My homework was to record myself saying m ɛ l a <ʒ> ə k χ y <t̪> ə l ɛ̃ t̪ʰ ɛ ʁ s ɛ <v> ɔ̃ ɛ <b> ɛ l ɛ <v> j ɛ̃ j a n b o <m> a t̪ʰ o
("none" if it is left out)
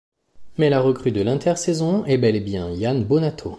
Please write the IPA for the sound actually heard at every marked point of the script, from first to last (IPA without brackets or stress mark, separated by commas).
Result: ʁ, d̪, z, b, b, n